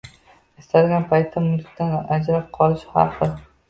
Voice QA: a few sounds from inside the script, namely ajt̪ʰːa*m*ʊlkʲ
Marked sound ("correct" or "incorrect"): correct